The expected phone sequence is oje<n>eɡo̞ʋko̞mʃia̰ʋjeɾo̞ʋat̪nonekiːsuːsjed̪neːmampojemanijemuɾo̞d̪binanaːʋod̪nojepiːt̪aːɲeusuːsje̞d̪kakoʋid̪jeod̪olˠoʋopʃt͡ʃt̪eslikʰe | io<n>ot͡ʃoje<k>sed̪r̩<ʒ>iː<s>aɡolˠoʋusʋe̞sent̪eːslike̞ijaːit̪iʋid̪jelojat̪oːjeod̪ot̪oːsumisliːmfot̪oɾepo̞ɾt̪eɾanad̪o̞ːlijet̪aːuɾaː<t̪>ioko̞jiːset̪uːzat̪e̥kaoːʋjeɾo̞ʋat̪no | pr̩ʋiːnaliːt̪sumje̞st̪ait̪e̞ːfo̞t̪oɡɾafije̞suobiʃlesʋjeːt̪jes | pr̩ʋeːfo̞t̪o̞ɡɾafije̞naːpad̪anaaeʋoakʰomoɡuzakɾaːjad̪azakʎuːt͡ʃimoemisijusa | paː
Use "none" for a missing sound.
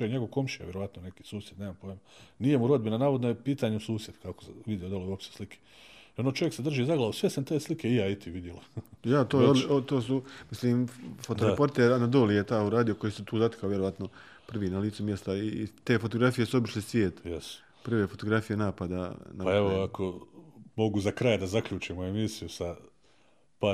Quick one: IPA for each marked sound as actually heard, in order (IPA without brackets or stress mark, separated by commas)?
ɲ, n, k, ʒ, z, d̪